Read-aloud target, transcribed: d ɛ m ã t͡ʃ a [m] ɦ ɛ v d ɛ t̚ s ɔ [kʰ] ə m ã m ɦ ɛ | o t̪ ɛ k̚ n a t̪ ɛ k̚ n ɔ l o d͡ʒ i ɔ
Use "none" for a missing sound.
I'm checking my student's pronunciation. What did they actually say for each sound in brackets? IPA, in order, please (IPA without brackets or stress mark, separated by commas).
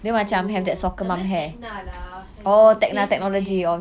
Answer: m, k